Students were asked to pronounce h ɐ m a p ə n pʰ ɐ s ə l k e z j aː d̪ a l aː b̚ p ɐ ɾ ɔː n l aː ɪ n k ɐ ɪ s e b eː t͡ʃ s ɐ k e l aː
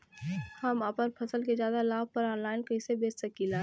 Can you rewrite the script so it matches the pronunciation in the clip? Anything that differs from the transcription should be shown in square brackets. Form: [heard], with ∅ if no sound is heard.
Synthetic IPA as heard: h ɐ m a p ə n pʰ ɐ s ə l k e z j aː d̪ a l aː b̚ p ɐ ɾ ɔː n l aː ɪ n k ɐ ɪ s e b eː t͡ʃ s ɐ k [i] l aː